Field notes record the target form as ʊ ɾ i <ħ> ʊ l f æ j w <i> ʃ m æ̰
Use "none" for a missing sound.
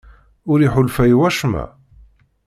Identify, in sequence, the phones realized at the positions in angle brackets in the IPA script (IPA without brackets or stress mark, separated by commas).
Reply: ħ, æ